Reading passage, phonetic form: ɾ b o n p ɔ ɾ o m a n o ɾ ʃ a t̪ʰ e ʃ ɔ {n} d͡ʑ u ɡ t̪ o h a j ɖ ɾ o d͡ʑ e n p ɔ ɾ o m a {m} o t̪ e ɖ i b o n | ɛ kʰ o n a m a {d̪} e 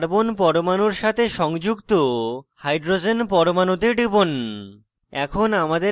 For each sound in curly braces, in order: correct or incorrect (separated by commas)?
incorrect, incorrect, correct